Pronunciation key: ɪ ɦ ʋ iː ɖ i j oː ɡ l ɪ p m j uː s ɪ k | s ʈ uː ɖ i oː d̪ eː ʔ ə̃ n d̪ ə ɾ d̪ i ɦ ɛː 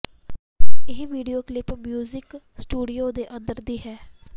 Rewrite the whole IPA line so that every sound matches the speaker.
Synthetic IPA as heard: ɪ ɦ ʋ iː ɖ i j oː k l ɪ p m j uː z ɪ k | s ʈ uː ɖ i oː d̪ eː ʔ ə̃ n d̪ ə ɾ d̪ iː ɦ ɛː